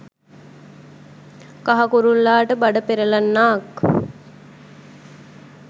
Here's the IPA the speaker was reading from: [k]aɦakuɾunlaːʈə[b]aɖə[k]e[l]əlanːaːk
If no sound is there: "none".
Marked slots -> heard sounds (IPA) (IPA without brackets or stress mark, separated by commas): k, b, p, ɾ